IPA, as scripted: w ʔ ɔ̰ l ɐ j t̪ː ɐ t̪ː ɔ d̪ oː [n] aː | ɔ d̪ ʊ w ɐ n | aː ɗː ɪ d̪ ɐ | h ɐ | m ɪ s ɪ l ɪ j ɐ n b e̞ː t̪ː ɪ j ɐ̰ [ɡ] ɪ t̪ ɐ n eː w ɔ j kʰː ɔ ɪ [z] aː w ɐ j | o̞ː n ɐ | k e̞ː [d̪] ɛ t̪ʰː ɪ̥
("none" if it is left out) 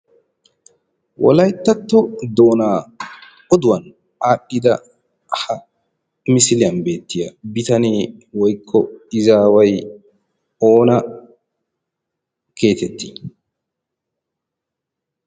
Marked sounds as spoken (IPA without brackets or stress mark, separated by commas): n, b, z, t̪